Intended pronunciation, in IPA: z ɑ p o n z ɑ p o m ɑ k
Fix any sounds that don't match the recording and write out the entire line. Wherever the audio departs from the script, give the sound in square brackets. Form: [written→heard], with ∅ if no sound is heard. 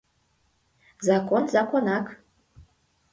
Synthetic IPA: z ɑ [p→k] o n z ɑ [p→k] o [m→n] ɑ k